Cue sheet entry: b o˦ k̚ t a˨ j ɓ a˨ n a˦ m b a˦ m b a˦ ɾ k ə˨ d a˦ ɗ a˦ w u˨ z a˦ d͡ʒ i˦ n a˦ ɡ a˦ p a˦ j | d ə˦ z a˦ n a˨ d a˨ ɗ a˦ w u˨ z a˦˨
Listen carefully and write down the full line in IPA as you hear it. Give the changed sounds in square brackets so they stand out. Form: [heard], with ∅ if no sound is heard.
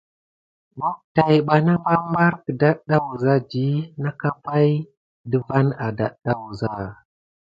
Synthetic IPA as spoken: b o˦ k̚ t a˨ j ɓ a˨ n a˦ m b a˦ m b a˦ ɾ k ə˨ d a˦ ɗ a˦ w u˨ z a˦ d͡ʒ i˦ n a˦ [k] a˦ p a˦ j | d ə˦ [v] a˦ n a˨ d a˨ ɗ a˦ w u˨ z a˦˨